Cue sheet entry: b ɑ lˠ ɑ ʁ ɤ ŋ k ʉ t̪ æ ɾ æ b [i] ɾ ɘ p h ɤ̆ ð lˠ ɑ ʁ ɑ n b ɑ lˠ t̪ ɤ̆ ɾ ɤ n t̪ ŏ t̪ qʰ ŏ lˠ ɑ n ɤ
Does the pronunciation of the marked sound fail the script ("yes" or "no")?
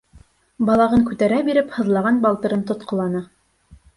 no